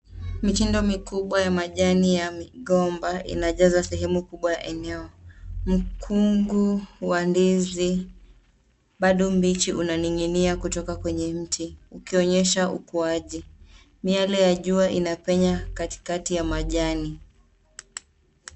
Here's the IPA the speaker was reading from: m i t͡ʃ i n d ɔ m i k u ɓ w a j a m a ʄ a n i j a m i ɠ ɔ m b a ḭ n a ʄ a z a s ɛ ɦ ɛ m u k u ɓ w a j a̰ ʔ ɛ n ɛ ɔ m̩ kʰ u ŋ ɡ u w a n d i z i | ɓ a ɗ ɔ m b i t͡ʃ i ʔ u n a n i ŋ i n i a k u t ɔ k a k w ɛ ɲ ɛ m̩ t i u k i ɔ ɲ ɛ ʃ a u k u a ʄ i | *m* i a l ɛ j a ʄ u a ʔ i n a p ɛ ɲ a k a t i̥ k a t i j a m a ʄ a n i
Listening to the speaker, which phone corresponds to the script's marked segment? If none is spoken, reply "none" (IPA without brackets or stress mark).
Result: m